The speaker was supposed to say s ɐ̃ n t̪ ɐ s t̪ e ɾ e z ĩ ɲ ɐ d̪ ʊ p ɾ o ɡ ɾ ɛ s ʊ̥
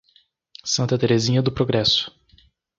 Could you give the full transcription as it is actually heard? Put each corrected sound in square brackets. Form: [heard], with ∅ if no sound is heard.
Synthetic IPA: s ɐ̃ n t̪ ɐ [∅] t̪ e ɾ e z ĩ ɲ ɐ d̪ ʊ p ɾ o ɡ ɾ ɛ s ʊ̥